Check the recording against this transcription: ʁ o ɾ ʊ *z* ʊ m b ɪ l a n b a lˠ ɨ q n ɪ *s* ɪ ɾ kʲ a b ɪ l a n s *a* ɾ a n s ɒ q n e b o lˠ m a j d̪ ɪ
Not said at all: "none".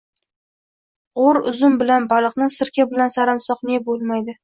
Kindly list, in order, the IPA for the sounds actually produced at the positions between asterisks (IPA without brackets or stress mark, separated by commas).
z, s, a